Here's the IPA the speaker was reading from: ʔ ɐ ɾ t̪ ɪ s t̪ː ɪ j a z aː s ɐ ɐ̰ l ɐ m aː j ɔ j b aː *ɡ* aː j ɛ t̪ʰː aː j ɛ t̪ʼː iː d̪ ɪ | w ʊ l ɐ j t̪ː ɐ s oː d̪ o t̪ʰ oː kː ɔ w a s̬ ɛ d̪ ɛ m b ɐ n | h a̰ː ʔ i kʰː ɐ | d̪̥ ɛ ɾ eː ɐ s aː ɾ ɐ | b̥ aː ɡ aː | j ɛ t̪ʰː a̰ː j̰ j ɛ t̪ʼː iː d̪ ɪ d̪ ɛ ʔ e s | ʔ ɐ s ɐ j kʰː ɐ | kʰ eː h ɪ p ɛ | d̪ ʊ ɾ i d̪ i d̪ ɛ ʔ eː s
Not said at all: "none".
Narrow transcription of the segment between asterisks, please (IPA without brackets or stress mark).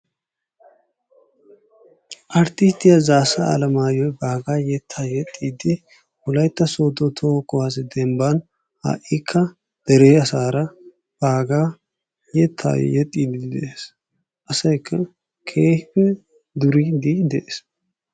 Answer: ɡ